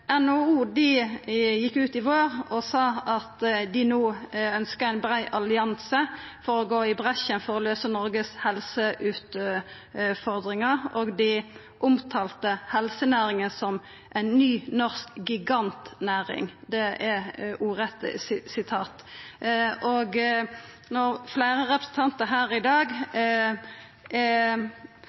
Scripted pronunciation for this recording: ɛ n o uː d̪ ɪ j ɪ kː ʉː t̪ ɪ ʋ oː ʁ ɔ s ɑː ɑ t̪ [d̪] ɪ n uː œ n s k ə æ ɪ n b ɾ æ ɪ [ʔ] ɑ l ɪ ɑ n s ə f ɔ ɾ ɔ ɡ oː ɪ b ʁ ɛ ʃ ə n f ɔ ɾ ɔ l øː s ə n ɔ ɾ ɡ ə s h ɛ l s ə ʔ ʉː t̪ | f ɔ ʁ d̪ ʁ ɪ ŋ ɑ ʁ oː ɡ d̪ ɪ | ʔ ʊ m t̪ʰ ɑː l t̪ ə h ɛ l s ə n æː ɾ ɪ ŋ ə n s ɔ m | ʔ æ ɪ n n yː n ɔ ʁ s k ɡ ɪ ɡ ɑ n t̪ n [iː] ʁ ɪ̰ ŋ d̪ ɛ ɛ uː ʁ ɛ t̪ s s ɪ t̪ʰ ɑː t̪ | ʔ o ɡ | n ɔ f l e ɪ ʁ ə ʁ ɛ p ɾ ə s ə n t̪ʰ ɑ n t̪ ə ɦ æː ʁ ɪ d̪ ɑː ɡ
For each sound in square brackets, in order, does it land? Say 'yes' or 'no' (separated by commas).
yes, yes, no